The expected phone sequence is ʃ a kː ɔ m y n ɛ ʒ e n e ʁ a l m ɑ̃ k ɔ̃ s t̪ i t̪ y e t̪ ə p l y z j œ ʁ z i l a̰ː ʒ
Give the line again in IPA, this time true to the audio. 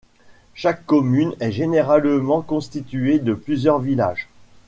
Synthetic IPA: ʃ a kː ɔ m y n ɛ ʒ e n e ʁ a l m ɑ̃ k ɔ̃ s t̪ i t̪ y e d̪ ə p l y z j œ ʁ v i l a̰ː ʒ